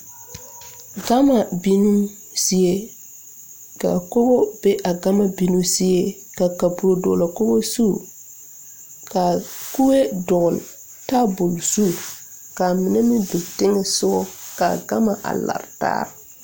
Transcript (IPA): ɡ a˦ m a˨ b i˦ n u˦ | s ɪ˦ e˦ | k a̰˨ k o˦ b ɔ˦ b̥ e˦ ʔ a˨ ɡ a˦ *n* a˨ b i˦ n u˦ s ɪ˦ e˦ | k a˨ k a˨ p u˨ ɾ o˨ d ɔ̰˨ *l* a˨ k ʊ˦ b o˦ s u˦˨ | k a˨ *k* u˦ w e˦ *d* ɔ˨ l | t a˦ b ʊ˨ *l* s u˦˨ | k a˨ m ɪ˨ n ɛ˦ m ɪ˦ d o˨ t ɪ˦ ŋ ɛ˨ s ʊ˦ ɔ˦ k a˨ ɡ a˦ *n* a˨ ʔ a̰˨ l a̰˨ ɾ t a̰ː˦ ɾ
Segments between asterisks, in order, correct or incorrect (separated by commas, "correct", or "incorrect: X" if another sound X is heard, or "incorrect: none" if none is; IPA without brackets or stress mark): incorrect: m, correct, correct, correct, correct, incorrect: m